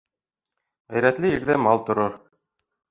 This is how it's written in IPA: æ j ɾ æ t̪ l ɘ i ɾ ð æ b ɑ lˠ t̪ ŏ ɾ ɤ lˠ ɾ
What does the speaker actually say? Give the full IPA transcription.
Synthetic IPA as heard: æ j ɾ æ t̪ l ɘ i ɾ ð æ m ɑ lˠ t̪ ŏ ɾ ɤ ɾ